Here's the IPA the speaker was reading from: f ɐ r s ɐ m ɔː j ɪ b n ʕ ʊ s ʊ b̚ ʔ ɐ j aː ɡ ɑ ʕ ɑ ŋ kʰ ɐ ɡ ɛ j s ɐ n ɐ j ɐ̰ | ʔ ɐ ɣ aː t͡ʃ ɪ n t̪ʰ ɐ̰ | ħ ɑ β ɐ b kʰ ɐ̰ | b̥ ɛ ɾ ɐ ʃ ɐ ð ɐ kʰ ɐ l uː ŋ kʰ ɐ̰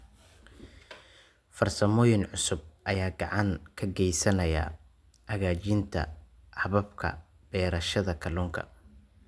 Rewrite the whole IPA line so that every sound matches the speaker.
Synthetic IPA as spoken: f ɐ r s ɐ m ɔː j ɪ n ʕ ʊ s ʊ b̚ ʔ ɐ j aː ɡ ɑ ʕ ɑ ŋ kʰ ɐ ɡ ɛ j s ɐ n ɐ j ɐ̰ | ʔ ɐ ɣ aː t͡ʃ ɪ n t̪ʰ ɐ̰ | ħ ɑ β ɐ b kʰ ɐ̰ | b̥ ɛː ɾ ɐ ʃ ɐ ð ɐ kʰ ɐ l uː ŋ kʰ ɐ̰

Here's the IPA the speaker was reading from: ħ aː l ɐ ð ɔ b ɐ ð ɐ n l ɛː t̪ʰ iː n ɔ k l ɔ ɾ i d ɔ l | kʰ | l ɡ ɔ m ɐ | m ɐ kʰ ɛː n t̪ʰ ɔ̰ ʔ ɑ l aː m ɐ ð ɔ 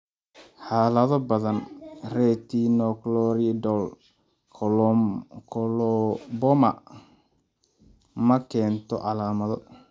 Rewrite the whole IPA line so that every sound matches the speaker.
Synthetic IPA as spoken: ħ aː l ɐ ð ɔ b ɐ ð ɐ n r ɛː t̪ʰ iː n ɔ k l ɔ ɾ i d ɔ l | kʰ | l b ɔ m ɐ | m ɐ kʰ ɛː n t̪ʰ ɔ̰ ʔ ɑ l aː m ɐ ð ɔ

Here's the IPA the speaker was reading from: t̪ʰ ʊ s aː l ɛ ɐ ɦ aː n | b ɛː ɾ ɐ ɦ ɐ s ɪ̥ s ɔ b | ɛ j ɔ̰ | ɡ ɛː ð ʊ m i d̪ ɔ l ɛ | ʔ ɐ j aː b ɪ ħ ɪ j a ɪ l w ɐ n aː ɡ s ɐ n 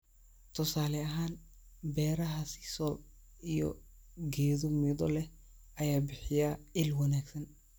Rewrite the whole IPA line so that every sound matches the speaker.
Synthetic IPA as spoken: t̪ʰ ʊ s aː l ɛ ɐ ɦ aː n | b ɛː ɾ ɐ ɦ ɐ s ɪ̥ s ɔ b | i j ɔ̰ | ɡ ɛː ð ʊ m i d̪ ɔ l ɛ | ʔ ɐ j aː b ɪ ħ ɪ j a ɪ l w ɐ n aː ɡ s ɐ n

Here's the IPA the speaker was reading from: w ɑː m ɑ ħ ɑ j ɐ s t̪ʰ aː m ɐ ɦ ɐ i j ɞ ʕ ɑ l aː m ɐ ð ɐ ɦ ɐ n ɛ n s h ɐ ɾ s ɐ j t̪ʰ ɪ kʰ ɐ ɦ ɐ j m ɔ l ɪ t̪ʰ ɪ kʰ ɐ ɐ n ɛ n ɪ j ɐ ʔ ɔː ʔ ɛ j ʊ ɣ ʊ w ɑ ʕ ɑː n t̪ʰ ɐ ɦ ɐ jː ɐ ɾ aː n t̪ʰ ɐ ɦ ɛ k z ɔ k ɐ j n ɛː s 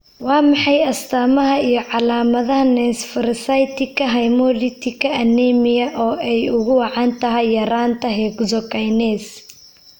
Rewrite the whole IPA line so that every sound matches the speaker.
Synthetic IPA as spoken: w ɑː m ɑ ħ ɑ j ɐ s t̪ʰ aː m ɐ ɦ ɐ i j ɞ ʕ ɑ l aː m ɐ ð ɐ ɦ ɐ n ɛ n s f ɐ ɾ s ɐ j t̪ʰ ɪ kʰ ɐ ɦ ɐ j m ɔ l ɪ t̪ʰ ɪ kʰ ɐ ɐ n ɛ m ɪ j ɐ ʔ ɔː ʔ ɛ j ʊ ɣ ʊ w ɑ ʕ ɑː n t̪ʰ ɐ ɦ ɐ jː ɐ ɾ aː n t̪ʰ ɐ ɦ ɛ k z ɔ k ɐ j n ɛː s

